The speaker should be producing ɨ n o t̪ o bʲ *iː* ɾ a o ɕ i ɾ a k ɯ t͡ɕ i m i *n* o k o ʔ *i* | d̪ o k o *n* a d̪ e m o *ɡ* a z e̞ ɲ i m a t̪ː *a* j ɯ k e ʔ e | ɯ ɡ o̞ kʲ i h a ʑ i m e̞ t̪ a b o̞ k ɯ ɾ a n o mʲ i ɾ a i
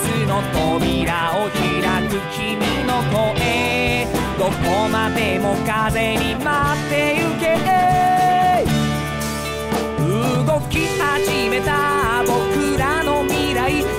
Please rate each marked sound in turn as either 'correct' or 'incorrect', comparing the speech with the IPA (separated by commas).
incorrect, correct, incorrect, incorrect, incorrect, incorrect